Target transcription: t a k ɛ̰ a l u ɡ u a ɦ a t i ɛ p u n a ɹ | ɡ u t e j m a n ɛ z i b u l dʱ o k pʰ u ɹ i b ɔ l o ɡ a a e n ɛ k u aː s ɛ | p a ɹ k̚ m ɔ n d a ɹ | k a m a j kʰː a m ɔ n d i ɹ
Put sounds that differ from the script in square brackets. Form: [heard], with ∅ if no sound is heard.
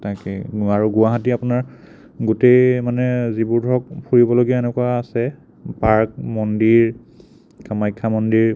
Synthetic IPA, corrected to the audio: t a k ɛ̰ a [ɹ] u ɡ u a ɦ a t i [a] p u n a ɹ | ɡ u t e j m a n ɛ z i b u [ɹ] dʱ [ɔ] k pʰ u ɹ i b ɔ l o ɡ [i] a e n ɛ k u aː s ɛ | p a ɹ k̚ m ɔ n d [i] ɹ | k a m a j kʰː a m ɔ n d i ɹ